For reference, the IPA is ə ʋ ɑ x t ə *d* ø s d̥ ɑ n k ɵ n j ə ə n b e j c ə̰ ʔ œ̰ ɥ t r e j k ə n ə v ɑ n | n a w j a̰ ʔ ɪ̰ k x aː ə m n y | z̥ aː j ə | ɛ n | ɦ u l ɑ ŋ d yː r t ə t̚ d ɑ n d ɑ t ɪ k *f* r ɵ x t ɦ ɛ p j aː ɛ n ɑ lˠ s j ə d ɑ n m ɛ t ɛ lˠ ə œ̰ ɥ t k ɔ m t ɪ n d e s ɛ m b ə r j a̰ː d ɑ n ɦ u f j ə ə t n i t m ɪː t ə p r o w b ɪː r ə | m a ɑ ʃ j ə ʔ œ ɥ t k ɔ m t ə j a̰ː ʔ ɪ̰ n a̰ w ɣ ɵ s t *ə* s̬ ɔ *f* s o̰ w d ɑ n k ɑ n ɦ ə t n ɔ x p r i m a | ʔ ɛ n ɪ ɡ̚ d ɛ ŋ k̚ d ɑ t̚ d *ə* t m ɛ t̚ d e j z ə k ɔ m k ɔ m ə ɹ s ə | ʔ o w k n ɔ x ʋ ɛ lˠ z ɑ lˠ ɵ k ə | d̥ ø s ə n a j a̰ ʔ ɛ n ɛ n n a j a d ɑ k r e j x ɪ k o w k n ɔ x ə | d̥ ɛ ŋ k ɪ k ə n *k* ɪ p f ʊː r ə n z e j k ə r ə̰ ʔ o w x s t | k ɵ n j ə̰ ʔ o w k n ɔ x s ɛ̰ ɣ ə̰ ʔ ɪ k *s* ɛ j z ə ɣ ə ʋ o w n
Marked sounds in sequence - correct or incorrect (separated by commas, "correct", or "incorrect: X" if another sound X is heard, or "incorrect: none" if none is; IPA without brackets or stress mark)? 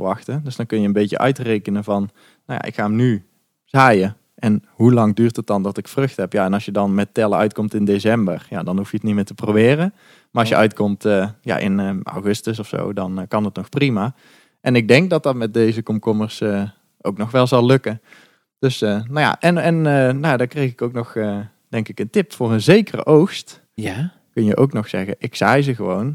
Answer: correct, correct, correct, correct, incorrect: ɑ, incorrect: t, correct